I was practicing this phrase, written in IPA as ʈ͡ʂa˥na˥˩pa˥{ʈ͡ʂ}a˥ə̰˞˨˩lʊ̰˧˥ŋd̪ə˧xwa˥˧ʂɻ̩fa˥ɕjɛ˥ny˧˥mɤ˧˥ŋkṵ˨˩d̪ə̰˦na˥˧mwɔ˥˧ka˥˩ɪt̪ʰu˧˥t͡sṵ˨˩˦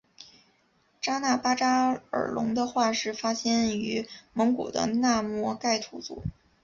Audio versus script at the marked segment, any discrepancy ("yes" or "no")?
no